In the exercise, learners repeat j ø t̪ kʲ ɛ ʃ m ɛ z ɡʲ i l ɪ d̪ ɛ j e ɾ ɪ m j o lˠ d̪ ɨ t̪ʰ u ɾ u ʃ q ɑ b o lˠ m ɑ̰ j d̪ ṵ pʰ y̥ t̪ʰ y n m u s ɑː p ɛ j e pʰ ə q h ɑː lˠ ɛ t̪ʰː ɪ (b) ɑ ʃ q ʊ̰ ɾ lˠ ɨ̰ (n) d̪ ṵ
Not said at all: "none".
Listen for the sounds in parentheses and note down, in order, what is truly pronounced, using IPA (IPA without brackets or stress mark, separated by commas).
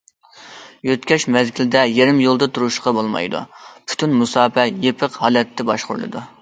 b, none